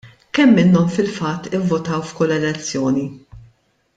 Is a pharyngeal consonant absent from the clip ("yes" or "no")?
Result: yes